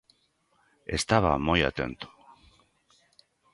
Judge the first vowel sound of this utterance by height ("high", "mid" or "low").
mid